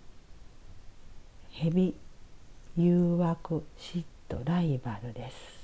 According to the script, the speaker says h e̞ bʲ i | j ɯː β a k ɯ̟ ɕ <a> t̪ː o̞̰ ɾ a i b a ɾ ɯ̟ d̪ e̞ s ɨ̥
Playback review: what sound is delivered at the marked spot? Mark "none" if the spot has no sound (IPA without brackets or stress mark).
i